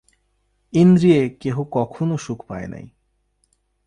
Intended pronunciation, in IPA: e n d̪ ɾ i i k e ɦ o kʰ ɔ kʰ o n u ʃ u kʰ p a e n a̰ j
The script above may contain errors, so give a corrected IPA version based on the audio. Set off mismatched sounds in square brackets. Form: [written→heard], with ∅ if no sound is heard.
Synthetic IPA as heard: [e→i] n d̪ ɾ i [i→e] k e ɦ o [kʰ→k] ɔ kʰ o n [u→o] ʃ u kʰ p a e n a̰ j